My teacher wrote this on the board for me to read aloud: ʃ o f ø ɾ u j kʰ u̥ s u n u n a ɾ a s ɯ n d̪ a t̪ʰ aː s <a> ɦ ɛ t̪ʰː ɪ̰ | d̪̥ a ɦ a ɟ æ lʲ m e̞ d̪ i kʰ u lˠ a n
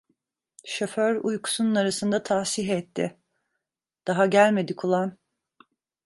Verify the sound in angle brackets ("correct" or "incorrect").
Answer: incorrect